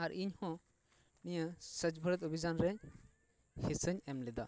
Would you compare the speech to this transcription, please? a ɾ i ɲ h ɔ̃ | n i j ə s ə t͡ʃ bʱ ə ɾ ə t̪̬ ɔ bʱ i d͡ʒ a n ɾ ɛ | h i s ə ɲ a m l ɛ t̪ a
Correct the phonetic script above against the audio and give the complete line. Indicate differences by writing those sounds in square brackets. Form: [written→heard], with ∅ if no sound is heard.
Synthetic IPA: a ɾ i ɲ h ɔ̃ | n i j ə s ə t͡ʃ bʱ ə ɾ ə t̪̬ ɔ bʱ i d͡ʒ a n ɾ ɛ | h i s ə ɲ [a→ɛ] m l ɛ [t̪→d̪] a